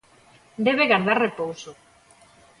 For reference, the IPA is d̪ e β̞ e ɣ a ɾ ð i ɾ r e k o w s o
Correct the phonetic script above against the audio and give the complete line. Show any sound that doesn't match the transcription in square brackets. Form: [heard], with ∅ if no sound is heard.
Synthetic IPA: d̪ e β̞ e ɣ a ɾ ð [a] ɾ r e [p] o w s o